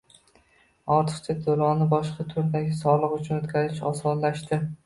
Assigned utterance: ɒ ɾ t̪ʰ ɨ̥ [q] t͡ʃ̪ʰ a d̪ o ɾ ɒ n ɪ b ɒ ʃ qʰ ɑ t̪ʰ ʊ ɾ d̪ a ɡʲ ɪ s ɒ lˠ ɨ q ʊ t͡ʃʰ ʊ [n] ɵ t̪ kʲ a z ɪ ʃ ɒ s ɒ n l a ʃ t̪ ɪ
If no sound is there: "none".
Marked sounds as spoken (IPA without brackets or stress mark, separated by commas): q, n